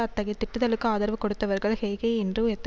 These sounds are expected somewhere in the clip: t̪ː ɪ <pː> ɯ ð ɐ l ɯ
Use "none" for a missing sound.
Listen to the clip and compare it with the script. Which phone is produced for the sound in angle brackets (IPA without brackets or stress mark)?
ʈː